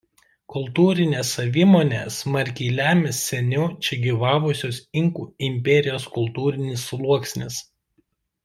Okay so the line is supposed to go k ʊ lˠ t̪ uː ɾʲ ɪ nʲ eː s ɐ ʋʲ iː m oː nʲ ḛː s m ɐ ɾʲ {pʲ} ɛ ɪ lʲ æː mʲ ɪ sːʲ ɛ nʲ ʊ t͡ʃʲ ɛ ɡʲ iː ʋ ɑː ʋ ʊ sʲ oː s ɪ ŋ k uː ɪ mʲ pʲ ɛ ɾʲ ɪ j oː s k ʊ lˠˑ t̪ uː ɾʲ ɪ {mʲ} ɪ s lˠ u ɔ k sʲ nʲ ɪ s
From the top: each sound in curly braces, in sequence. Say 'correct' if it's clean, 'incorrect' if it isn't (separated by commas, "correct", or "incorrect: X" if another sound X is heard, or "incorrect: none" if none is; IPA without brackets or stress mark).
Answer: incorrect: kʲ, incorrect: nʲ